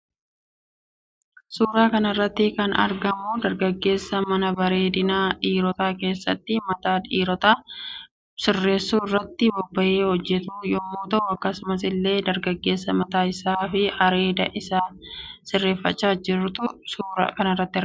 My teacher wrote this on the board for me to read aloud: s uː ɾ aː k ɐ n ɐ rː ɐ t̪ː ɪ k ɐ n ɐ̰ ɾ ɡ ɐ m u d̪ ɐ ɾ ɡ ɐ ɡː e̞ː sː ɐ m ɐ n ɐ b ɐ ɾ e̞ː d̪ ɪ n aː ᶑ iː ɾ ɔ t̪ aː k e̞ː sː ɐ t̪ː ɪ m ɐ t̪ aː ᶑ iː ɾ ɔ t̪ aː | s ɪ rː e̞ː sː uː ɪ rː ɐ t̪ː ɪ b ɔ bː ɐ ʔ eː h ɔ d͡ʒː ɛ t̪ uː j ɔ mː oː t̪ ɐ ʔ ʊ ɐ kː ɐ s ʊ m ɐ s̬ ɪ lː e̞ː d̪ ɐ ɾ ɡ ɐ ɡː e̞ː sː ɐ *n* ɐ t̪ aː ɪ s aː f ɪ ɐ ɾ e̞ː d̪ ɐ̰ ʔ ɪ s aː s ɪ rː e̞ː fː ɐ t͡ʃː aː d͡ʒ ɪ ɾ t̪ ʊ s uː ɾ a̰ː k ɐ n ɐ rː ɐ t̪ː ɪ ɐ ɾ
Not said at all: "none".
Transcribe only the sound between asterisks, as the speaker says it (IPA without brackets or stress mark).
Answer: m